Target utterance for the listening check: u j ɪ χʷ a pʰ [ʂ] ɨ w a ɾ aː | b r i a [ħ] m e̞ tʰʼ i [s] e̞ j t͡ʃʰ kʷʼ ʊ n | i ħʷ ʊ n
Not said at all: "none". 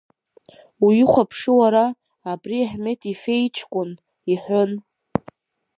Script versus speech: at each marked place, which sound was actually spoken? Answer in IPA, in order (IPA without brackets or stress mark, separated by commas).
ʂ, ħ, f